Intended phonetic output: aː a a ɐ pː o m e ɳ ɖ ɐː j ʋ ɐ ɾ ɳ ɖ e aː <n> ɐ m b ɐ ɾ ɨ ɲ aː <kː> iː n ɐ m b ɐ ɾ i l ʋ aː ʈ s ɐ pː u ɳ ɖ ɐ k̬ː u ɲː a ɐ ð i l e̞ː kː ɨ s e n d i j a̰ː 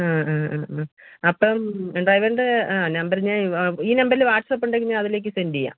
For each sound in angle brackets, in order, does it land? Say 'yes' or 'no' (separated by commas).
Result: yes, no